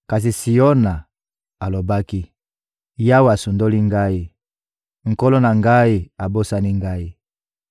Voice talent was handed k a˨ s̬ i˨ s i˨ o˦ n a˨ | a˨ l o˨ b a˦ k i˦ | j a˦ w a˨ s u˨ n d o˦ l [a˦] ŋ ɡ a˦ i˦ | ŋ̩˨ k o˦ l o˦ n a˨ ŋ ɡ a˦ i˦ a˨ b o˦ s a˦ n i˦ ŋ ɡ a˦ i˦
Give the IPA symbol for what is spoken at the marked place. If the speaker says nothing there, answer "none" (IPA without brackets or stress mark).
i˦